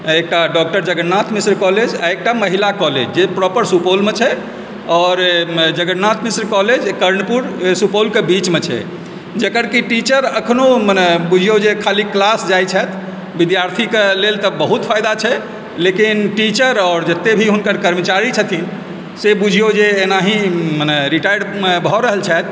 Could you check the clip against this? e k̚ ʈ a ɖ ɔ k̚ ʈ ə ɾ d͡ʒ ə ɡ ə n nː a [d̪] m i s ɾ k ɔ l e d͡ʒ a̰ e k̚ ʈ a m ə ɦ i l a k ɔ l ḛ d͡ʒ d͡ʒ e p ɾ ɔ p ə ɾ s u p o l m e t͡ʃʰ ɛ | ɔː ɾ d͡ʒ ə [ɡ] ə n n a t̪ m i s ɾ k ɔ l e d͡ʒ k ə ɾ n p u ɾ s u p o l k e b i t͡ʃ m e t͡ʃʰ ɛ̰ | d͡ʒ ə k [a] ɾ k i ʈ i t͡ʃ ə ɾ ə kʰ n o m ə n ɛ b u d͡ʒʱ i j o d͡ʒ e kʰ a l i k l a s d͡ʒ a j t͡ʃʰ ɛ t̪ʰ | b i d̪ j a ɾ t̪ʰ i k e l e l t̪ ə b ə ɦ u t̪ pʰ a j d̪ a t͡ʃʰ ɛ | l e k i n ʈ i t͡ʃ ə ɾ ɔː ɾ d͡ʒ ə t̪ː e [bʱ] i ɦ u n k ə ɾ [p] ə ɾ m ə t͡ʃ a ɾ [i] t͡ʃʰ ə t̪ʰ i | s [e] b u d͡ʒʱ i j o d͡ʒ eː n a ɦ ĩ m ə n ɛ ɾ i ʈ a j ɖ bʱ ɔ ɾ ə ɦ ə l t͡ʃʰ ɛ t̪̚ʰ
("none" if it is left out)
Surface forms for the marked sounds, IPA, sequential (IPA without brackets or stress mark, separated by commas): t̪, ɡ, ə, bʱ, k, i, e